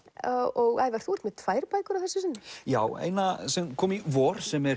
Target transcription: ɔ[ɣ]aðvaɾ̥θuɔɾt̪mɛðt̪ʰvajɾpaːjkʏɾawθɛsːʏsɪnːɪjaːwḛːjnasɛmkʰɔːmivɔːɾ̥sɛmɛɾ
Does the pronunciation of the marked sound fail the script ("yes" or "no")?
no